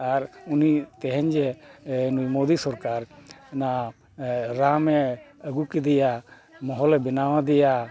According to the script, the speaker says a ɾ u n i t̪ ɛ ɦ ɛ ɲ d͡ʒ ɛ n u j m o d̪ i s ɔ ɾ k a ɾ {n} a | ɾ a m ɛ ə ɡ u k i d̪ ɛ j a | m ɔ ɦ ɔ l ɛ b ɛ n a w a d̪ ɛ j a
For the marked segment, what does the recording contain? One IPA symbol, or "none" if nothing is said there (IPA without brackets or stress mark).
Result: n